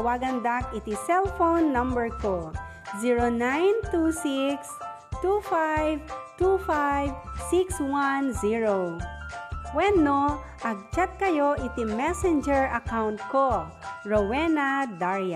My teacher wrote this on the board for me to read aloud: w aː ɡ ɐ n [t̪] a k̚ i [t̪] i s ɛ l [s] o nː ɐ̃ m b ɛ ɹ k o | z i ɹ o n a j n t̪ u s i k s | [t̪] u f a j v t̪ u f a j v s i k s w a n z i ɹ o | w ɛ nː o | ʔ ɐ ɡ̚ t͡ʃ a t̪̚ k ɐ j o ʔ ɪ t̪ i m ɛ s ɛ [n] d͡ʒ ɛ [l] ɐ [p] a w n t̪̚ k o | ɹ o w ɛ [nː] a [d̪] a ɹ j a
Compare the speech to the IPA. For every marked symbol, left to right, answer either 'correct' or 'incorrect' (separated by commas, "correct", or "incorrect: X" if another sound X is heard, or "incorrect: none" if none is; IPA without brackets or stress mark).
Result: incorrect: d̪, correct, incorrect: f, correct, correct, incorrect: ɹ, incorrect: k, incorrect: n, correct